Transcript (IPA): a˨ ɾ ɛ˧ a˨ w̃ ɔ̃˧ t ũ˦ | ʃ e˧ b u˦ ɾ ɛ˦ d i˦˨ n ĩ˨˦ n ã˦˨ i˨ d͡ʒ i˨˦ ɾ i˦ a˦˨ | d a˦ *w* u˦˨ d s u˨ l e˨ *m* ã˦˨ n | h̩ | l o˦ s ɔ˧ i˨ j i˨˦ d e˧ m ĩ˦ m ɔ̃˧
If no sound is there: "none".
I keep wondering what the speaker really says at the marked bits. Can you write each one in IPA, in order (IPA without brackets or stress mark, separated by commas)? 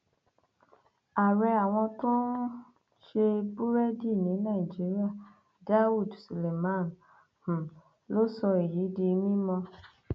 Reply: w, m